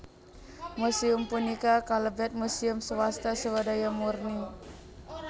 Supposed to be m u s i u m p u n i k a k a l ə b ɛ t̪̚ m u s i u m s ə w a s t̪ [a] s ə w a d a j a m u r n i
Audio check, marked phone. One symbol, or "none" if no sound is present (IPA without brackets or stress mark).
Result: a